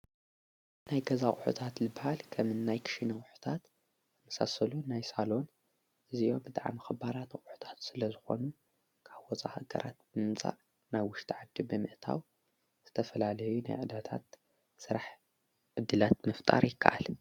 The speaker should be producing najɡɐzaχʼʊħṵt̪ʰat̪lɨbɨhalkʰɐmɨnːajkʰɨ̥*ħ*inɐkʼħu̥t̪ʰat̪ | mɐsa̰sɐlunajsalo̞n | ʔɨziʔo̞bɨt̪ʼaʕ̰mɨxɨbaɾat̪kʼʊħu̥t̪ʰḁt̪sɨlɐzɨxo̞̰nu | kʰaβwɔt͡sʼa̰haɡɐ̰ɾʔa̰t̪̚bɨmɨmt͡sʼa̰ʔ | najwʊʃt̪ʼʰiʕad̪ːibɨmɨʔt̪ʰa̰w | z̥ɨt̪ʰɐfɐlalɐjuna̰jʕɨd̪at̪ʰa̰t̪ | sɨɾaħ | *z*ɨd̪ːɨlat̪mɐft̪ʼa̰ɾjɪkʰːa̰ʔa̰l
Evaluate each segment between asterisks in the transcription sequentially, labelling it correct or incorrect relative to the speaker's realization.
incorrect: ʃ, incorrect: ʕ

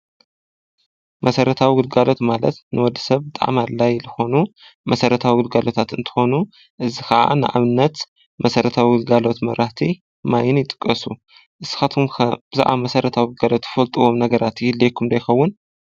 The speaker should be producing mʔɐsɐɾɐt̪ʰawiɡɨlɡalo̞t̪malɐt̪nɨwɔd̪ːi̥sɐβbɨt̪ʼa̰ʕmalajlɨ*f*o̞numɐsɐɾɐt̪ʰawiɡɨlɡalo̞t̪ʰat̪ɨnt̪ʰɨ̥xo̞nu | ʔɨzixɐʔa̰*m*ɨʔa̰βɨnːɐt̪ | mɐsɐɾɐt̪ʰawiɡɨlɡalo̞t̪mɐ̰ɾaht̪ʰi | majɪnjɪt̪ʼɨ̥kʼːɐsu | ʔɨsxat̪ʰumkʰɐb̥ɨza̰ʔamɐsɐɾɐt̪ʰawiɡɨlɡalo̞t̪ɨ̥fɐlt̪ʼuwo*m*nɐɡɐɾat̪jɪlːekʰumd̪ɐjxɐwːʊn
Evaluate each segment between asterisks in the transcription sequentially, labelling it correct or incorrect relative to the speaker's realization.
incorrect: x, incorrect: n, correct

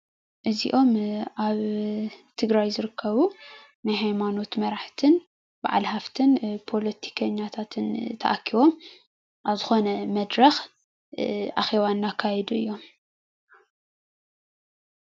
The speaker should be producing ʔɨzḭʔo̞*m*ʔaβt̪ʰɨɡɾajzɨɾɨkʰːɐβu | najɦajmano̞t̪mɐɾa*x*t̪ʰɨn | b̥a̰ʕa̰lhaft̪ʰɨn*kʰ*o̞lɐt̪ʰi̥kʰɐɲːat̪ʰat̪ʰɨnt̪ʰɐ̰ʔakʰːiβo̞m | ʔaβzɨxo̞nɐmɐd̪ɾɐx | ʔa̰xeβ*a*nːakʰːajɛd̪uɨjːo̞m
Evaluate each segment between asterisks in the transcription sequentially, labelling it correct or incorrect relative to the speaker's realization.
correct, incorrect: ħ, incorrect: pʰ, correct

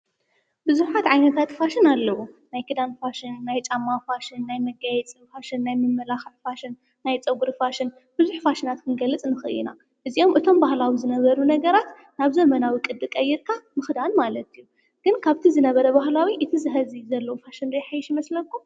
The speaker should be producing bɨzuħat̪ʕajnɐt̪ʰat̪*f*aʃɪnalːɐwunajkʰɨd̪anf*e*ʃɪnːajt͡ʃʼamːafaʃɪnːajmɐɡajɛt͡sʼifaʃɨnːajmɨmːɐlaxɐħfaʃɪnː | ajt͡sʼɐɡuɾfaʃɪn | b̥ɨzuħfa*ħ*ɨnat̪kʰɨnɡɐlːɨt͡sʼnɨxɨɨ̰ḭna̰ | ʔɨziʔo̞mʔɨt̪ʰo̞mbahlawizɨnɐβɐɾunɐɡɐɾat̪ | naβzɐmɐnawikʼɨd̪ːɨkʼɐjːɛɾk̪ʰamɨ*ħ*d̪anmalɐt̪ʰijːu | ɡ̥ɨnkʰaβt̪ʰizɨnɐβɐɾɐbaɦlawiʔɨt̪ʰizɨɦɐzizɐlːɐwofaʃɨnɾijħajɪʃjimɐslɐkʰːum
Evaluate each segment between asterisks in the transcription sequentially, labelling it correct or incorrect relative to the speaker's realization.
correct, incorrect: a, incorrect: ʃ, incorrect: x

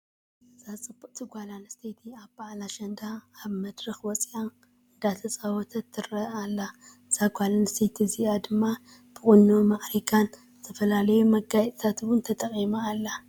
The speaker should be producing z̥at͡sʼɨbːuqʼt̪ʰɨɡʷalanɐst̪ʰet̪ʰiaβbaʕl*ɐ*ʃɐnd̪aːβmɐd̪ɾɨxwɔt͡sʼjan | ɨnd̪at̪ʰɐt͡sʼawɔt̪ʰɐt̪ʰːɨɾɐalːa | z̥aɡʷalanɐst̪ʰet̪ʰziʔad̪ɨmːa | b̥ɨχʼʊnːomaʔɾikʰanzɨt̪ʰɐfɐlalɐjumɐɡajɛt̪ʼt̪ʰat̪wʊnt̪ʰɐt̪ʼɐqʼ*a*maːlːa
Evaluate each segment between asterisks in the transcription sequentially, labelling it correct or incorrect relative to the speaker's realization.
incorrect: a, incorrect: i

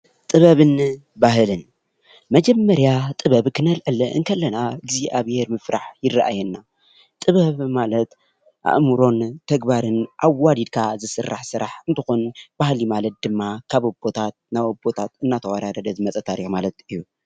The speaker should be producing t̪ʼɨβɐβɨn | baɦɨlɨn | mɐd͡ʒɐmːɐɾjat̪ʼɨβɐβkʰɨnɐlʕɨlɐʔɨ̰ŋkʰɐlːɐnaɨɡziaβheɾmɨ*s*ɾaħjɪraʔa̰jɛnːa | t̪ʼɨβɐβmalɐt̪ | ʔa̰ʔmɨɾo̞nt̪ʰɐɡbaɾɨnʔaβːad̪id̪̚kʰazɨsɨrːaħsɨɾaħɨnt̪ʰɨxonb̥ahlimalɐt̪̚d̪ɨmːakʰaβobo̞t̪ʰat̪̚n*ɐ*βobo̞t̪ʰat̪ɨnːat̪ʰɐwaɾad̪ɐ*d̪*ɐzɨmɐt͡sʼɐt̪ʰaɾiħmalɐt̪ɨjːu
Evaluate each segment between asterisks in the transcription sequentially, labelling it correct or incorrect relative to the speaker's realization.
incorrect: f, incorrect: a, correct

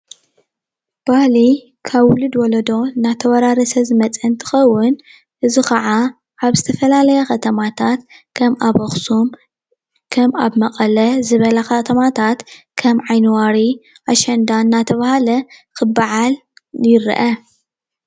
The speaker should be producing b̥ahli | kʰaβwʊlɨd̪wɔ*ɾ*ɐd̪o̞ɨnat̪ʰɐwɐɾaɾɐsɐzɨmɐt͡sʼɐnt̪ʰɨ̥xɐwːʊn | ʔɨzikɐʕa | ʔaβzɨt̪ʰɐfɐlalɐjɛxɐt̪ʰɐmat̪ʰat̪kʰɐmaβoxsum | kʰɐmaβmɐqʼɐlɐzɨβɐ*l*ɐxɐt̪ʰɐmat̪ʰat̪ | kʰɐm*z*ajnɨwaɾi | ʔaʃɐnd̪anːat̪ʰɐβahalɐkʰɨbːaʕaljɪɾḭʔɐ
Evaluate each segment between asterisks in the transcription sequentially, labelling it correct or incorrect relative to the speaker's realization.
incorrect: l, correct, incorrect: ʕ

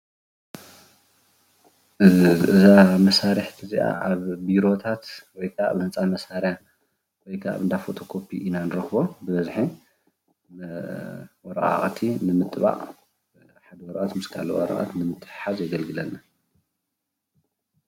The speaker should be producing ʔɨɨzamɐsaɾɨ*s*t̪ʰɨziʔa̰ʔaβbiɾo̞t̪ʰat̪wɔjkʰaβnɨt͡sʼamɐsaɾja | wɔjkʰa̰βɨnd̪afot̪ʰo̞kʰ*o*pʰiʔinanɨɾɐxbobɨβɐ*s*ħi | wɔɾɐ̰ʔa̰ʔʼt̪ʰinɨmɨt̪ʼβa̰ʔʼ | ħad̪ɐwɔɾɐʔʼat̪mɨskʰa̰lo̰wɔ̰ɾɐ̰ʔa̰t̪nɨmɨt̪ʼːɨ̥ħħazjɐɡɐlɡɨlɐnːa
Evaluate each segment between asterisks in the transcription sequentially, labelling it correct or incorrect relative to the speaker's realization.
incorrect: ħ, correct, incorrect: z

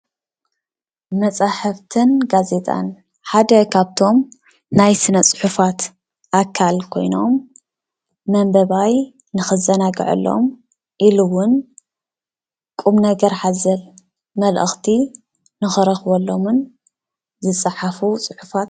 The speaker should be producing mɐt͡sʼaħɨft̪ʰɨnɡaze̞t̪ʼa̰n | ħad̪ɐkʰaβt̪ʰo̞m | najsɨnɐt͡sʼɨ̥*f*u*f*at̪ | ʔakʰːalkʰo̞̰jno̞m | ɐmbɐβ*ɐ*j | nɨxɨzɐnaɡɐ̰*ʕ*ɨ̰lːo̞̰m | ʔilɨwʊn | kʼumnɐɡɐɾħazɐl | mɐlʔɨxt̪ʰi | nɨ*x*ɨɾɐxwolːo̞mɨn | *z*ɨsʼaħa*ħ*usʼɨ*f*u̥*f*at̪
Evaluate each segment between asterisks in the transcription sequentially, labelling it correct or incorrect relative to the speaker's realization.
incorrect: ħ, correct, incorrect: a, correct, correct, correct, incorrect: f, incorrect: ħ, correct

